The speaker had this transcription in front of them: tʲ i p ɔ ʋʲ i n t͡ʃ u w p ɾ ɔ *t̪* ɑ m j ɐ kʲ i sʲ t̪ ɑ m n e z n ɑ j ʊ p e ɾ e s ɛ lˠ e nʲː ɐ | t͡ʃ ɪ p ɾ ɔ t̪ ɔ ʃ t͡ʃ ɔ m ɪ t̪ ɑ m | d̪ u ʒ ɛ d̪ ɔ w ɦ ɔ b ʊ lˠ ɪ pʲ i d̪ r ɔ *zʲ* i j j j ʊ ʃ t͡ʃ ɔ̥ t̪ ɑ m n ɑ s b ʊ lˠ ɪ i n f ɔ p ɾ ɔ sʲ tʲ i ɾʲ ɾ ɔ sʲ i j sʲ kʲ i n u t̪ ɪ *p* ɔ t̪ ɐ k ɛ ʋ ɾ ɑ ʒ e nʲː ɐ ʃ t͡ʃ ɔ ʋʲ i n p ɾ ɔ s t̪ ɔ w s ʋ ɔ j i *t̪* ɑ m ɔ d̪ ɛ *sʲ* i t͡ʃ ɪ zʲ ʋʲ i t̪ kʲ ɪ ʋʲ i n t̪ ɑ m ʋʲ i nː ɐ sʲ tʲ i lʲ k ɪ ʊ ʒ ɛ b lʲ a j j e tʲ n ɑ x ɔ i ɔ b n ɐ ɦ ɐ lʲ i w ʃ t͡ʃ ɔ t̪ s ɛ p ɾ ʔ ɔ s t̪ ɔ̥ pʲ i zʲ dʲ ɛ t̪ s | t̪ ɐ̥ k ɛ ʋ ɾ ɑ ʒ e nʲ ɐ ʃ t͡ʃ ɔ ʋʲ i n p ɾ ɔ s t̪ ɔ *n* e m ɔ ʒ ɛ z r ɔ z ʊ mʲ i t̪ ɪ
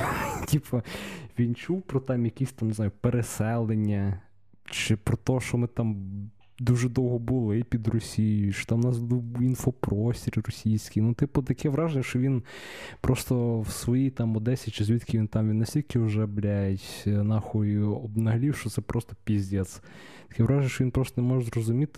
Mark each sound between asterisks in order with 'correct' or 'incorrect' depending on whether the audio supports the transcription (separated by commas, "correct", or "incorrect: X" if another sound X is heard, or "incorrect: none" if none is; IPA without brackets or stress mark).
correct, incorrect: sʲ, correct, correct, correct, correct